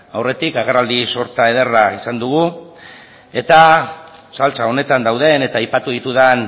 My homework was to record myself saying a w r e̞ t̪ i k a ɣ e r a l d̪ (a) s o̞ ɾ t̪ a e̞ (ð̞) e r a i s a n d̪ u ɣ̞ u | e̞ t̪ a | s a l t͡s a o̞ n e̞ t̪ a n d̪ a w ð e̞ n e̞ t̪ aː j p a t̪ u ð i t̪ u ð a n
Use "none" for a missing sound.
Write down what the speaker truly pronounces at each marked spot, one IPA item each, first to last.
i, ð̞

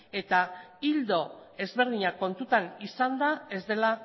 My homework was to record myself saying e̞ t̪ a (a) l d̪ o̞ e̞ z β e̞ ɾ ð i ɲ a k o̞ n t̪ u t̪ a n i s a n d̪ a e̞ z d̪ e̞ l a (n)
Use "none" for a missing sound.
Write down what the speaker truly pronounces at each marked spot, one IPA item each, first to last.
i, none

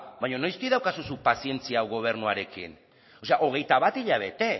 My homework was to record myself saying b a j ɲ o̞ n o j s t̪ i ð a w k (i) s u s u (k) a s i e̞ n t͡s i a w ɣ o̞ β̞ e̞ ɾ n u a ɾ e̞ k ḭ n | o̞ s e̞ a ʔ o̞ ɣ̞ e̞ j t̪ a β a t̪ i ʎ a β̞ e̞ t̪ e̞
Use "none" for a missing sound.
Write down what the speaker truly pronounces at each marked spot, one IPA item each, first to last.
a, p

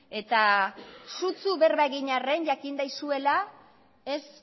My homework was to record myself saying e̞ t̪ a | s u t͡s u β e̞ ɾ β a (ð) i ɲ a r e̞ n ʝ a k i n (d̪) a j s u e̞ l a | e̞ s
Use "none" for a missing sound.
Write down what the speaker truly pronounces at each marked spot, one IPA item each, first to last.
ɣ, d̪

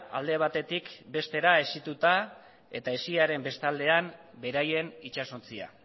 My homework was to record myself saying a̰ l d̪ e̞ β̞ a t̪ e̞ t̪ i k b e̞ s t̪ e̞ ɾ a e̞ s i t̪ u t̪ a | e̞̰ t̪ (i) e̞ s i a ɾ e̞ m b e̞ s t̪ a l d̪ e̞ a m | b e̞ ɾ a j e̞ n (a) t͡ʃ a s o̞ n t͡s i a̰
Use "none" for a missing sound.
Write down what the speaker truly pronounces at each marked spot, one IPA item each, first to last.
a, i

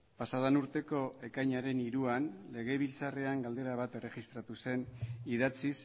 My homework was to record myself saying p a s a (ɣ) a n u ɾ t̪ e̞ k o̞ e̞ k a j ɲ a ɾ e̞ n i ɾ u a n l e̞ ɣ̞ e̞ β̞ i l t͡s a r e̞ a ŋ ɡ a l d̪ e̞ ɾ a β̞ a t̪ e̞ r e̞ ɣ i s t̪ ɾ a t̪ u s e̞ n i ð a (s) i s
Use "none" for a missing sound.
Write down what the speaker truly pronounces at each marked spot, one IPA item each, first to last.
ð, t͡s

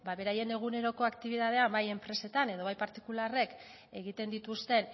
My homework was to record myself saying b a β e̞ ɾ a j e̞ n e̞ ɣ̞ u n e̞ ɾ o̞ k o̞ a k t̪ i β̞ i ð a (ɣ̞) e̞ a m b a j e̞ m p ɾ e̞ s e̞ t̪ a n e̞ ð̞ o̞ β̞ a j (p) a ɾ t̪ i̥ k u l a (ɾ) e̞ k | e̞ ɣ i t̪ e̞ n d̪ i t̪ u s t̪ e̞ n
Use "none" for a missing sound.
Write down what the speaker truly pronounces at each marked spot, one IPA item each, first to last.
ð̞, p, r

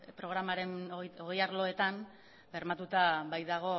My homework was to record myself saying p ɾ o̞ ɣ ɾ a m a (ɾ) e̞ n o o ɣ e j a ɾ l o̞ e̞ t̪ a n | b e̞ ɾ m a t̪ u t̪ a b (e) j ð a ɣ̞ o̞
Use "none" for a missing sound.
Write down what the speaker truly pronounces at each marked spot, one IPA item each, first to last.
ɾ, a

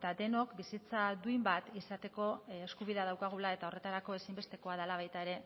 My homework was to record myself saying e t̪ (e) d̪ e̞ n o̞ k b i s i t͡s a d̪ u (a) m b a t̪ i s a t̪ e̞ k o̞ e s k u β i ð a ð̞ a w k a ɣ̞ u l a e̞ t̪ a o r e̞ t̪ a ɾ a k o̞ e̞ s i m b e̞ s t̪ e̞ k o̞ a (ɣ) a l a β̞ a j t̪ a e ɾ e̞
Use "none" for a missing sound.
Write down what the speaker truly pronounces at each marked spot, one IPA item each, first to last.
a, i, ð

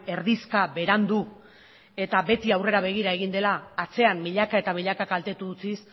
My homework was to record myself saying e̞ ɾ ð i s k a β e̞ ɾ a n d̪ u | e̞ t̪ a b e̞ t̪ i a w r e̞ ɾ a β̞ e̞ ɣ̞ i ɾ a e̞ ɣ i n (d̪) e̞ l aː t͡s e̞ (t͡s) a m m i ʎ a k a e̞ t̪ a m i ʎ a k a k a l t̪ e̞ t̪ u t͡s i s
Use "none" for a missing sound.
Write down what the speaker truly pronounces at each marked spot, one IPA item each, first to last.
d̪, none

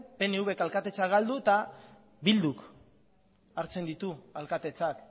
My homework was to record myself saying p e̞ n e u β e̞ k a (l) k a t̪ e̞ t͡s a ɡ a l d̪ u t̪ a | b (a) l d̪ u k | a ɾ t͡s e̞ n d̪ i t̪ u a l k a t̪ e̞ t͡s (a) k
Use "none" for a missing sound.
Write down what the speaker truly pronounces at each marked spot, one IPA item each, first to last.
l, i, a

